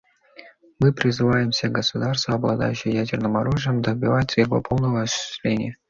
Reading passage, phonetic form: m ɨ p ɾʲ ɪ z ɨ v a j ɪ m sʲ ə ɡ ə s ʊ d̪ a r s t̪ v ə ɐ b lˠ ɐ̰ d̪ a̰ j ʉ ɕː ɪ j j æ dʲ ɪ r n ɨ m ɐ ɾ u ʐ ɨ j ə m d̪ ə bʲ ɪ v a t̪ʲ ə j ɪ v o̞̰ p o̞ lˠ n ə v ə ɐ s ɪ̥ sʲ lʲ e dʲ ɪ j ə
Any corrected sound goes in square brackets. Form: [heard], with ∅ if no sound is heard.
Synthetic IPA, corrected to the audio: m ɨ p ɾʲ ɪ z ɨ v a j ɪ m sʲ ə ɡ ə s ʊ d̪ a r s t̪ v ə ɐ b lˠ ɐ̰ d̪ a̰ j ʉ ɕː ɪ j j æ dʲ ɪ r n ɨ m ɐ ɾ u ʐ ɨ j ə m d̪ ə bʲ ɪ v a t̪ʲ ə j ɪ v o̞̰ p o̞ lˠ n ə v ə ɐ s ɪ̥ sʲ lʲ e [nʲ] ɪ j ə